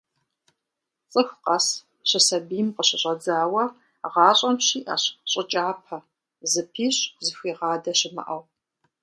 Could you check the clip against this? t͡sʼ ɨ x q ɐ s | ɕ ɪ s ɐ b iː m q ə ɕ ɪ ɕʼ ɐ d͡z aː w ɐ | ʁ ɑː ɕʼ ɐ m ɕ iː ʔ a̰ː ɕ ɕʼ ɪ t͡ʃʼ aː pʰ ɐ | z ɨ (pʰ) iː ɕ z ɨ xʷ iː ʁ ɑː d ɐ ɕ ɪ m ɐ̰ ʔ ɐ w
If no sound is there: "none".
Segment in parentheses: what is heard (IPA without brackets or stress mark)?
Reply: pʰ